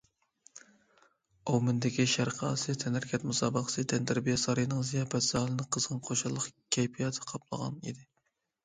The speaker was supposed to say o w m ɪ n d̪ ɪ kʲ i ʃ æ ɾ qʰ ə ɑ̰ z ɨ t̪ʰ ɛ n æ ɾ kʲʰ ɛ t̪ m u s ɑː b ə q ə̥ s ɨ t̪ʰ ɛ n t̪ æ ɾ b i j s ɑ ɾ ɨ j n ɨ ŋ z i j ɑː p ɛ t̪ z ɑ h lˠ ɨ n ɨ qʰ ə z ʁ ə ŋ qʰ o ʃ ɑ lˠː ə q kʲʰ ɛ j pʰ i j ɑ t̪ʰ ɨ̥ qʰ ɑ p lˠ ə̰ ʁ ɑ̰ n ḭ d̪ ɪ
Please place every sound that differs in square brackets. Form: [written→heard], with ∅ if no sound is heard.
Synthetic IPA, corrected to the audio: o w m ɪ n d̪ ɪ kʲ i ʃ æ ɾ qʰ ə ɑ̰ [z→s] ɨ t̪ʰ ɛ n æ ɾ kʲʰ ɛ t̪ m u s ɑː b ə q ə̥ s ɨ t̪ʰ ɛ n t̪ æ ɾ b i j s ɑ ɾ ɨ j n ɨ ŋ z i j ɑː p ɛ t̪ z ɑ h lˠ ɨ n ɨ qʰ ə z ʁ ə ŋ qʰ o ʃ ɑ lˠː ə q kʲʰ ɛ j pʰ i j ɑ t̪ʰ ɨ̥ qʰ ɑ p lˠ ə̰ ʁ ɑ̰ n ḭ d̪ ɪ